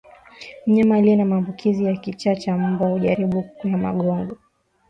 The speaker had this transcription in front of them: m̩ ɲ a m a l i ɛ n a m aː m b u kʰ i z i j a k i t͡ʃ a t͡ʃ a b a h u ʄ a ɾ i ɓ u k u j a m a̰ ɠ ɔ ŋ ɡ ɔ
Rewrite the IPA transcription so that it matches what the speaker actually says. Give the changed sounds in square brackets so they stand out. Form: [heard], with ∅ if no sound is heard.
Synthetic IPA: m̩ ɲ a m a l i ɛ n a m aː m b u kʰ i z i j a k i t͡ʃ a t͡ʃ a b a h u ʄ a ɾ i ɓ u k u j a m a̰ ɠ ɔ ŋ ɡ ɔ